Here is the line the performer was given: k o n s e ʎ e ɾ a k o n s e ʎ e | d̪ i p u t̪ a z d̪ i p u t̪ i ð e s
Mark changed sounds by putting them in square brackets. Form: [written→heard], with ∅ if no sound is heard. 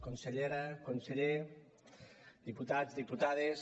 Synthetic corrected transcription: k o n s e ʎ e ɾ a k o n s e ʎ e | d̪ i p u t̪ a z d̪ i p u t̪ [i→a] ð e s